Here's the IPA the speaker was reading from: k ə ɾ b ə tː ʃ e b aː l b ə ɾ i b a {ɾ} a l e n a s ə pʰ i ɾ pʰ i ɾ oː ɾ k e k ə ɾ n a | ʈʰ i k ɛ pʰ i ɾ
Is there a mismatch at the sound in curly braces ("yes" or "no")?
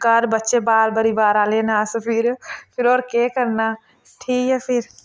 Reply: no